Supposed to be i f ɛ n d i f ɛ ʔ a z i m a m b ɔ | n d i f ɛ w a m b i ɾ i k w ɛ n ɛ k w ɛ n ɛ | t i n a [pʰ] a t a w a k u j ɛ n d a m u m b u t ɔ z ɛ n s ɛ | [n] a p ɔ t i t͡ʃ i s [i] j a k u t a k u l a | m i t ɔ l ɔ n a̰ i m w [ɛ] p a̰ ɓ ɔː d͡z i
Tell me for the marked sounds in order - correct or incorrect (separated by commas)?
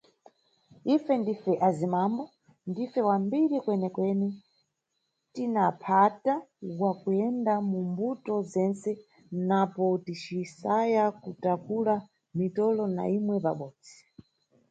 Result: correct, correct, incorrect, correct